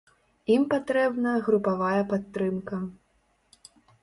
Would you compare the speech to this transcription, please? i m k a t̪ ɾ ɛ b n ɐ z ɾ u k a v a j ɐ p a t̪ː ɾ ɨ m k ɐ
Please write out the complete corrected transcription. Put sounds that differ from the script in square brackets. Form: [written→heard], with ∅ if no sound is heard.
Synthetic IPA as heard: i m [k→p] a t̪ ɾ ɛ b n ɐ [z→ɣ] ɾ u [k→p] a v a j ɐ p a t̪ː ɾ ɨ m k ɐ

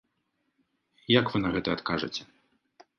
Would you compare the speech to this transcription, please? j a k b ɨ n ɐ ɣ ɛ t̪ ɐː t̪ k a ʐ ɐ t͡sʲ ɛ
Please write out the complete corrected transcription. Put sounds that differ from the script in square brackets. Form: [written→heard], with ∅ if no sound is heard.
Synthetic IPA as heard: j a k [b→v] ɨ n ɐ ɣ ɛ t̪ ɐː t̪ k a ʐ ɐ t͡sʲ ɛ

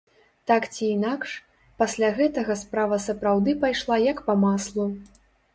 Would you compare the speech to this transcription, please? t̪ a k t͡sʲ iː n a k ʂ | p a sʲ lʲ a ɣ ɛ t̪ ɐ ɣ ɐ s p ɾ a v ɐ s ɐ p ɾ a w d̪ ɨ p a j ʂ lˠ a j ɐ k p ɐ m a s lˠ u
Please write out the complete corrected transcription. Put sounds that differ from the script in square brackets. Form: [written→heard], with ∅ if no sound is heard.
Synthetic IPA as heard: t̪ a k t͡sʲ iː n a k ʂ | p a sʲ lʲ a ɣ ɛ t̪ ɐ ɣ ɐ s p ɾ a v ɐ s ɐ p ɾ a w d̪ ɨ p a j ʂ lˠ a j ɐ k p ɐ m a s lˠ u

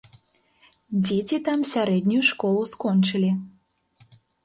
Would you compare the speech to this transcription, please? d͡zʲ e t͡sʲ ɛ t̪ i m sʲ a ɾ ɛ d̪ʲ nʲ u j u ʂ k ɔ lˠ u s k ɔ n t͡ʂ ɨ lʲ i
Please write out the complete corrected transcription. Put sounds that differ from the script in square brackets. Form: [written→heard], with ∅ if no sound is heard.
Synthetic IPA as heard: d͡zʲ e t͡sʲ [ɛ→i] t̪ [i→a] m sʲ a ɾ ɛ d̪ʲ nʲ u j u ʂ k ɔ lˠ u s k ɔ n t͡ʂ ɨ lʲ i

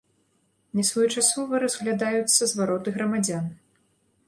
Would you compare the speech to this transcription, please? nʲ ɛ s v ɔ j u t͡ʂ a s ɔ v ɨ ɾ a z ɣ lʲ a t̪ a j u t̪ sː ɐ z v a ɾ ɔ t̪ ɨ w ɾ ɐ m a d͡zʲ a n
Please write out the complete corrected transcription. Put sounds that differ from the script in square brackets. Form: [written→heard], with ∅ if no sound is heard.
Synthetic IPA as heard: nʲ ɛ s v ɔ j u t͡ʂ a s ɔ v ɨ ɾ [a→ɐ] z ɣ lʲ a [t̪→d̪] a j u t̪ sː ɐ z v a ɾ ɔ t̪ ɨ [w→ɣ] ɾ ɐ m a d͡zʲ a n

